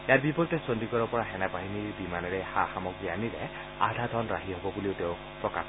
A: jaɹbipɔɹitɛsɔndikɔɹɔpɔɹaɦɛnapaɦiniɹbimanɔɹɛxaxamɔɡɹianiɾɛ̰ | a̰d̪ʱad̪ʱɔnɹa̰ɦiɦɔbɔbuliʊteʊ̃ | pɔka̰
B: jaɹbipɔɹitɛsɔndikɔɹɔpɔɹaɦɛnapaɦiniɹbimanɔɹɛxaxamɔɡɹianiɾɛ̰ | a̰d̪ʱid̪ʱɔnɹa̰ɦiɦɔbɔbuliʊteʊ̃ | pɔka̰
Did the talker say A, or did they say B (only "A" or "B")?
A